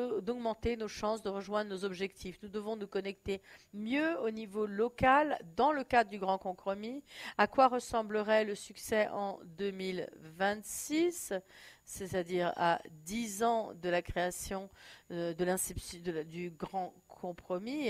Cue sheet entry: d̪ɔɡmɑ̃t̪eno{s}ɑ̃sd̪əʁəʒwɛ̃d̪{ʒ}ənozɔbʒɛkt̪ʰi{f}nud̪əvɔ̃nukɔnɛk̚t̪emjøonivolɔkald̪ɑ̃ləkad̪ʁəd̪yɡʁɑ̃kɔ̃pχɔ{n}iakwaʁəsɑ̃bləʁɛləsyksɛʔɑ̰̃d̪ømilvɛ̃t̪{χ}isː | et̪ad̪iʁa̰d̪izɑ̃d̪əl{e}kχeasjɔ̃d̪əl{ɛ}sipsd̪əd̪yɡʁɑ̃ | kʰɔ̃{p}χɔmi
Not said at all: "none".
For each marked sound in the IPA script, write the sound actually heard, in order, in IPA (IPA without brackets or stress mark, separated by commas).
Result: ʃ, ʁ, f, m, s, a, ɛ̃, p